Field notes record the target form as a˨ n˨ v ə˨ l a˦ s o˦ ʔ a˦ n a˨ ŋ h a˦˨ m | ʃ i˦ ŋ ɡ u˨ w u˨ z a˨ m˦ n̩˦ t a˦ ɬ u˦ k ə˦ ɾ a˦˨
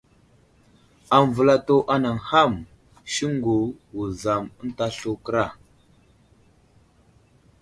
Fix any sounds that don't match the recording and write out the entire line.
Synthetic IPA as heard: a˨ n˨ v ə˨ l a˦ t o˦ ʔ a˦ n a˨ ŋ h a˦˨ m | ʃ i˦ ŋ ɡ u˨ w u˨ z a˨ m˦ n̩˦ t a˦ ɬ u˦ k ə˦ ɾ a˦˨